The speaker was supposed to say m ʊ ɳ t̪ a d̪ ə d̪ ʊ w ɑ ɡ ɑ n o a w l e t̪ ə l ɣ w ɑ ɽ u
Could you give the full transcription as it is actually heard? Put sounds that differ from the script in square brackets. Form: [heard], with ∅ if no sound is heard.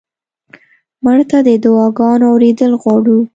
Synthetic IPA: m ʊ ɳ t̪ a d̪ ə d̪ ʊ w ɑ ɡ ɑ n o a w [ɾ] e [d̪] ə l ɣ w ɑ ɽ u